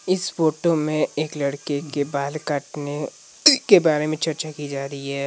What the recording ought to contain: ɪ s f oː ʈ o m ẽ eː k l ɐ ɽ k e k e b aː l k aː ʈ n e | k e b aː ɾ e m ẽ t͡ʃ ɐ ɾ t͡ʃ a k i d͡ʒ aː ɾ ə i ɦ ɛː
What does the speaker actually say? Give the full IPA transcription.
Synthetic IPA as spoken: ɪ s f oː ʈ o m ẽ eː k l ɐ ɽ k e k e b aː l k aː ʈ n e | k e b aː ɾ e m ẽ t͡ʃ ɐ ɾ t͡ʃ a k i d͡ʒ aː ɾ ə i ɦ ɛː